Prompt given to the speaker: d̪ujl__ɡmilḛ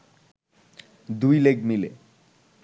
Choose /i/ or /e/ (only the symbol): e